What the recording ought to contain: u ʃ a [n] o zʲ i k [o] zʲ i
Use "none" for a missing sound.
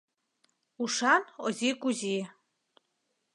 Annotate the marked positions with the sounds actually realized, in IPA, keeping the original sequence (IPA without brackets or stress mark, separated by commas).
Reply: n, u